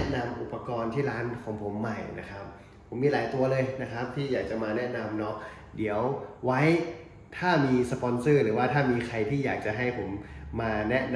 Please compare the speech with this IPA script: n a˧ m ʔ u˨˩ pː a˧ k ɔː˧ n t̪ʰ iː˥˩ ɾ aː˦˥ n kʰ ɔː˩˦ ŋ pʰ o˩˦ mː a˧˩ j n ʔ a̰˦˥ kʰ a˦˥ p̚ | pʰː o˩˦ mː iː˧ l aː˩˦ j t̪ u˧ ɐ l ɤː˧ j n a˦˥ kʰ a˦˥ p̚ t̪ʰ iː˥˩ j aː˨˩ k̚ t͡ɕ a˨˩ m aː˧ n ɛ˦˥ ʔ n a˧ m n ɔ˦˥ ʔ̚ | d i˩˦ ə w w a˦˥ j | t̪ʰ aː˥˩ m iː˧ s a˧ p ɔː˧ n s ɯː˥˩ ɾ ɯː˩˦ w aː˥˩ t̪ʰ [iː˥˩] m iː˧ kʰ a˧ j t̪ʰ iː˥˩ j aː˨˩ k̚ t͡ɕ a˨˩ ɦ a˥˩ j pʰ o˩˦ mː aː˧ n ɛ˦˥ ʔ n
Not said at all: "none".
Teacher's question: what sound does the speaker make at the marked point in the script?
aː˥˩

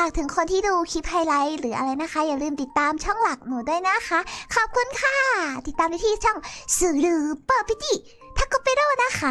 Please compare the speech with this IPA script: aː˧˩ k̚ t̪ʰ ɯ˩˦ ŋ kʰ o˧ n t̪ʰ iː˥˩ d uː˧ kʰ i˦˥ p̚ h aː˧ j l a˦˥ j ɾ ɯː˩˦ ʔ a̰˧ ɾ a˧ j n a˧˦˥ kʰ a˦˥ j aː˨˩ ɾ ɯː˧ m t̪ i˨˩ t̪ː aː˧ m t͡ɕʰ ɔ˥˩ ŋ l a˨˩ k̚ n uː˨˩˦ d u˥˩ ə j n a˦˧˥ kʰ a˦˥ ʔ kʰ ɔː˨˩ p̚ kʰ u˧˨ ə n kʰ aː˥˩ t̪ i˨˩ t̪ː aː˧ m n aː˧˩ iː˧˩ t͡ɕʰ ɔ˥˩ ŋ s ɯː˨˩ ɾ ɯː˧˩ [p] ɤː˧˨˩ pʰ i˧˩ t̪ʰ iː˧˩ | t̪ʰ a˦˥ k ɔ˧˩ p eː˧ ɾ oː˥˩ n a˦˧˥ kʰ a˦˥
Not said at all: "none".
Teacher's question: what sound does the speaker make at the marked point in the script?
p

